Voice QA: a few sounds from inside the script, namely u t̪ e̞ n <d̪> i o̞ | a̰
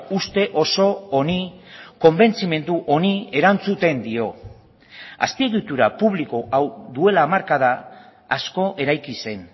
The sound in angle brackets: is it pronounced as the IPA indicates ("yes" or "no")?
yes